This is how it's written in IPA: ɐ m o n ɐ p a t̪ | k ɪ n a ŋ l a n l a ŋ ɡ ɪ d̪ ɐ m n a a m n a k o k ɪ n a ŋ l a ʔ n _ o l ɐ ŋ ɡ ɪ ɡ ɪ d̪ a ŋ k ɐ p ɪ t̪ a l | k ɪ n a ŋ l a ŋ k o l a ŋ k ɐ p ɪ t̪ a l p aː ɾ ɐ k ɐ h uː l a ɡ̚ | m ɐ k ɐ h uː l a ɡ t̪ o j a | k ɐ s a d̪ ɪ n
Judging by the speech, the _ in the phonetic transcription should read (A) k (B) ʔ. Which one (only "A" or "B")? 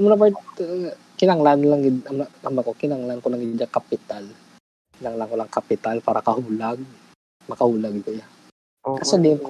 A